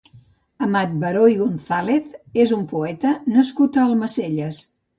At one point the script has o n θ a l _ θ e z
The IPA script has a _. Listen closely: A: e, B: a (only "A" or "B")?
A